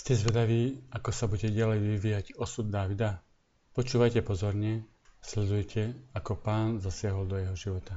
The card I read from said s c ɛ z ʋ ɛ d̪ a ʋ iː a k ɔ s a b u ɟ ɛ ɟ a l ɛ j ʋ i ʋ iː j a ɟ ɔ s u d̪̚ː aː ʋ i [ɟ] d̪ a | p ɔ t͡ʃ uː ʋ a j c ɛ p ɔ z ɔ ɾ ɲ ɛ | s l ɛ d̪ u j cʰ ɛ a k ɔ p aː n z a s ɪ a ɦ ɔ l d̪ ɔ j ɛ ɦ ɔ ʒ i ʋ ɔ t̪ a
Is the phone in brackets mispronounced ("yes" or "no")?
yes